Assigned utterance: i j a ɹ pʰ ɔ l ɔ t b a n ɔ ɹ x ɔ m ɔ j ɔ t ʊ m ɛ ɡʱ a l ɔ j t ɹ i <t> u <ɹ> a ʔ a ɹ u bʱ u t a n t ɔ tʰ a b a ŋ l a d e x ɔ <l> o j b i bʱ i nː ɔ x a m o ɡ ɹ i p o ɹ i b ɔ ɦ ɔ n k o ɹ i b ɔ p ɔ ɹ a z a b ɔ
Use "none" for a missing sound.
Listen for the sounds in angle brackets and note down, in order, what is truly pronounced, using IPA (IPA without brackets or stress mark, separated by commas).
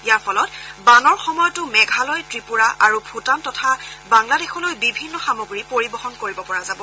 p, ɹ, l